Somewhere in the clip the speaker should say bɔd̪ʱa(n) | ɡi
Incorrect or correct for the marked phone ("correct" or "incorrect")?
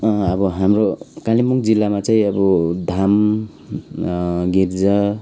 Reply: incorrect